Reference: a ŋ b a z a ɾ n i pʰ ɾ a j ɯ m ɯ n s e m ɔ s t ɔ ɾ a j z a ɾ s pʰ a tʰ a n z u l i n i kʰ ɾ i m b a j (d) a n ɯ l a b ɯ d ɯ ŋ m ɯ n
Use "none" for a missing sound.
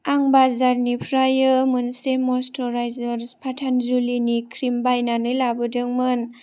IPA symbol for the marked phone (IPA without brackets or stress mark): n